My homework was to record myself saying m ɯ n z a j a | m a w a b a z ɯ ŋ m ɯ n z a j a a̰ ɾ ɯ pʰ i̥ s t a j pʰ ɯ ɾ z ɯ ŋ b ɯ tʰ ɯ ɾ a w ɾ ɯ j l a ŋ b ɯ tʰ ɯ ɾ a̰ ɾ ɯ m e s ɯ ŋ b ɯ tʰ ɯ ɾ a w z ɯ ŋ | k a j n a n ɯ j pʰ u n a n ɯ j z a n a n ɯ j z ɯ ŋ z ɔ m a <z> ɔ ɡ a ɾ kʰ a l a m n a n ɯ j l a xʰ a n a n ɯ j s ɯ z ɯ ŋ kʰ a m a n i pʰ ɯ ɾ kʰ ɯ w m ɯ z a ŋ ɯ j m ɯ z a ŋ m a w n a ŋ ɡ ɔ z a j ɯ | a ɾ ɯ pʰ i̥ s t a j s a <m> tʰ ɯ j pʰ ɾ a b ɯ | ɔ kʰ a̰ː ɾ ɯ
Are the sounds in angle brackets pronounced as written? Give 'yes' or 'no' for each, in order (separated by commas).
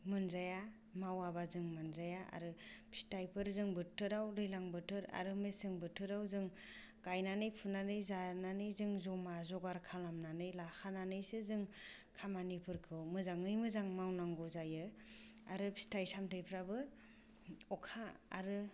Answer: yes, yes